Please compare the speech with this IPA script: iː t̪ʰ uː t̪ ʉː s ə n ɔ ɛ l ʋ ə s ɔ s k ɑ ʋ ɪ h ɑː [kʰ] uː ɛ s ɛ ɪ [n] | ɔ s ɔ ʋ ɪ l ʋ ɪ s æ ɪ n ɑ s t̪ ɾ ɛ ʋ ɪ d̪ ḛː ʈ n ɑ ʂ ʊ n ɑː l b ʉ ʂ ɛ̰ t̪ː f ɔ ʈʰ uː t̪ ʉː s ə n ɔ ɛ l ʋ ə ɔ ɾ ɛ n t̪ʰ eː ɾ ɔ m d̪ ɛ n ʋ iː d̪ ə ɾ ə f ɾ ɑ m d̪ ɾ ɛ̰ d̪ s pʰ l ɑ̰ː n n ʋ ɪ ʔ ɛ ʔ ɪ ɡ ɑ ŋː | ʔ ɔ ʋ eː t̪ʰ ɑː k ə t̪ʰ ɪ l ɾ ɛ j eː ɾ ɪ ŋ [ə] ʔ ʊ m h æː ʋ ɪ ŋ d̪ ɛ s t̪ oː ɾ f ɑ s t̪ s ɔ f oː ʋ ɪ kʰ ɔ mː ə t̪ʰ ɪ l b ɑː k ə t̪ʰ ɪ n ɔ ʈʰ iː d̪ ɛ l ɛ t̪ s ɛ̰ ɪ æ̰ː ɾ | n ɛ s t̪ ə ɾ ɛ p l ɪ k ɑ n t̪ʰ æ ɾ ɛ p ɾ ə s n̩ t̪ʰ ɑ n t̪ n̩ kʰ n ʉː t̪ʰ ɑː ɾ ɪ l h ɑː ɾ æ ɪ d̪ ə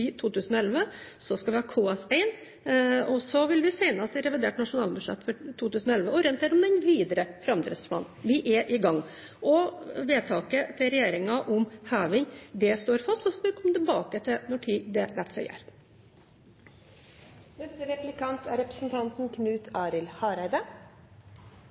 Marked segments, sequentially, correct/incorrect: correct, correct, incorrect: ɑ

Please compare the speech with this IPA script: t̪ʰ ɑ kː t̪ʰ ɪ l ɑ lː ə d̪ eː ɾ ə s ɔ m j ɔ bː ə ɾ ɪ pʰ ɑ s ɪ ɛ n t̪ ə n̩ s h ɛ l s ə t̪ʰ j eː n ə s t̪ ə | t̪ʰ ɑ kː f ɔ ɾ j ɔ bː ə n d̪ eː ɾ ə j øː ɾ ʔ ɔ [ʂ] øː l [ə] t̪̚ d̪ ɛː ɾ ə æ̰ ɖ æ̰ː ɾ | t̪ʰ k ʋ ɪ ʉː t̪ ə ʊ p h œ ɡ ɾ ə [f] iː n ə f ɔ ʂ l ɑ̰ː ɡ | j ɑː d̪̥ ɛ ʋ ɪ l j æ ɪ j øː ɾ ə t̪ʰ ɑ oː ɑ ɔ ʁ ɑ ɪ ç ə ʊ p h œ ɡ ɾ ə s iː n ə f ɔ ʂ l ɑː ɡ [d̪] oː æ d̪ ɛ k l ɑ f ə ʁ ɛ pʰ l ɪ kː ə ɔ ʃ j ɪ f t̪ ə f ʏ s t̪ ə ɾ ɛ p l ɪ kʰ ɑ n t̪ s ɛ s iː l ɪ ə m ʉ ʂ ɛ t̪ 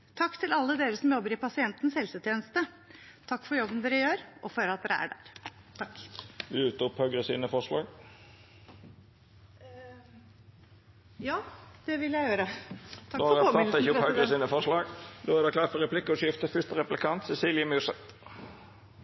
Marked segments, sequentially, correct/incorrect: incorrect: f, incorrect: ɑ, incorrect: s, correct

